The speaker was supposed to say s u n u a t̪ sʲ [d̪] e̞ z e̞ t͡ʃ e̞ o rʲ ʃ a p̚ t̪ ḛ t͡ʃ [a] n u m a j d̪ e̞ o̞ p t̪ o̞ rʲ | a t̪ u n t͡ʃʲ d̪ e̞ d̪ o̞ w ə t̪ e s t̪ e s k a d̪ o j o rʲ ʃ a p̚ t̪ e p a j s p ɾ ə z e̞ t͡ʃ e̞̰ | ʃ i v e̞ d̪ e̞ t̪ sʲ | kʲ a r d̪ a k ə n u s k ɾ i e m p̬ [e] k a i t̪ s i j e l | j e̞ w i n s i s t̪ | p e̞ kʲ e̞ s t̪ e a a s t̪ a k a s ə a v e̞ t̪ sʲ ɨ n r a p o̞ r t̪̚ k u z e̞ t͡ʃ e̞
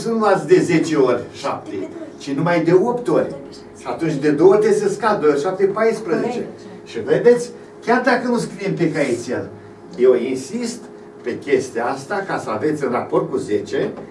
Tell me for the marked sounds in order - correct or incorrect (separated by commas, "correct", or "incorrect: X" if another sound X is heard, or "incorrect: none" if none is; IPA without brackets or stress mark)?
correct, incorrect: i, correct